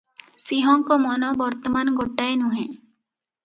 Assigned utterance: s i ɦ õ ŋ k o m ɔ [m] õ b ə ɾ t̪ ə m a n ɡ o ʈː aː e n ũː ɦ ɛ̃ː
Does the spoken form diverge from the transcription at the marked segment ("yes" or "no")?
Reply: yes